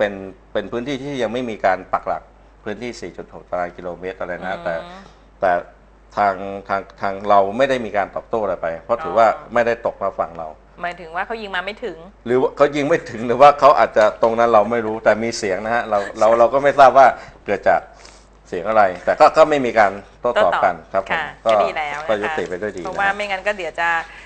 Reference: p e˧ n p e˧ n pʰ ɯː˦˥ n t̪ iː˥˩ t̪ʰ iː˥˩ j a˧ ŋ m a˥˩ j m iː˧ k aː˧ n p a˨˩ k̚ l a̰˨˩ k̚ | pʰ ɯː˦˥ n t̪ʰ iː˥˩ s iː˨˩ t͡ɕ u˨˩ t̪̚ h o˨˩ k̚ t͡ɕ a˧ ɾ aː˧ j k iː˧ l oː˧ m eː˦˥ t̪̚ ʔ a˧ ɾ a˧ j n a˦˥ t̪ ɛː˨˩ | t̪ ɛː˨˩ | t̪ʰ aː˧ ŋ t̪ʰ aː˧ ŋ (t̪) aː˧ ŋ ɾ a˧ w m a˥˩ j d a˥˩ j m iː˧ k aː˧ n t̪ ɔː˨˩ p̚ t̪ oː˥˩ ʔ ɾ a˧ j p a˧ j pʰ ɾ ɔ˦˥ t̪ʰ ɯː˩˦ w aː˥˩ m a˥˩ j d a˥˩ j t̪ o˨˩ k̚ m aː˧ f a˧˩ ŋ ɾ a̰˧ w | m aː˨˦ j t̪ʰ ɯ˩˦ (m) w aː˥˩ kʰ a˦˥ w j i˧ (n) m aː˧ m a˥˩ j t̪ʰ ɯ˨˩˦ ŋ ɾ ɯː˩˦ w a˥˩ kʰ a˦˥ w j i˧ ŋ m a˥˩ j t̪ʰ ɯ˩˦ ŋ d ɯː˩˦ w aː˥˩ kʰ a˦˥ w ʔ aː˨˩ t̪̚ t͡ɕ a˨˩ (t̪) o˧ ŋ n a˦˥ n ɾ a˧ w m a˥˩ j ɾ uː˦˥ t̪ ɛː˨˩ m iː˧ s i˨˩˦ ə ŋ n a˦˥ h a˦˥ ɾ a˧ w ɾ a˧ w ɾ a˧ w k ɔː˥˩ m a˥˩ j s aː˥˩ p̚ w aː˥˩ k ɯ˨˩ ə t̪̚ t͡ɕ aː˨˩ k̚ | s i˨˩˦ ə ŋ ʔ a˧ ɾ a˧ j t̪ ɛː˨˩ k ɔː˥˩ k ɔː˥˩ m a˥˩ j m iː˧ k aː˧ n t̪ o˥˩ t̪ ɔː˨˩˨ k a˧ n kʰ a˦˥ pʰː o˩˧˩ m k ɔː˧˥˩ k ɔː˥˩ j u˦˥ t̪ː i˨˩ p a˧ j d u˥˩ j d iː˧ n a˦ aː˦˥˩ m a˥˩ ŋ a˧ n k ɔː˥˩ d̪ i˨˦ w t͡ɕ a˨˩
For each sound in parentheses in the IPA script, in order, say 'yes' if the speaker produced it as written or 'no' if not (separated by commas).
no, no, no, yes